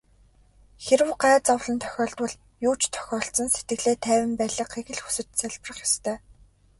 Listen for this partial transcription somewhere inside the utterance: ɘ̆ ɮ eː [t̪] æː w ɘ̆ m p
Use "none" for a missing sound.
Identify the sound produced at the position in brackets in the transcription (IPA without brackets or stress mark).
t̪ʰ